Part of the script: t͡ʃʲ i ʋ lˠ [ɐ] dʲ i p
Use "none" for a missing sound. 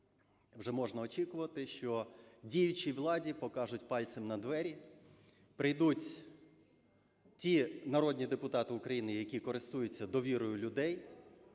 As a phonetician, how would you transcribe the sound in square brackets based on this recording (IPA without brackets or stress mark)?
ɑ